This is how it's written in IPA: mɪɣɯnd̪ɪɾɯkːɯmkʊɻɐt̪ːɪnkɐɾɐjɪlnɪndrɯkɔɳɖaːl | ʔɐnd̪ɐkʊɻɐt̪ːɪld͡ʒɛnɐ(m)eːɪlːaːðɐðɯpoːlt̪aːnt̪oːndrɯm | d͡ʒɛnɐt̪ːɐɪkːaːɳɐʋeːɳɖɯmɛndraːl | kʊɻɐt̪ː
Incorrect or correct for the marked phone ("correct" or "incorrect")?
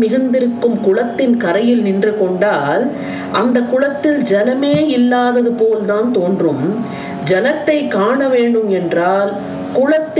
correct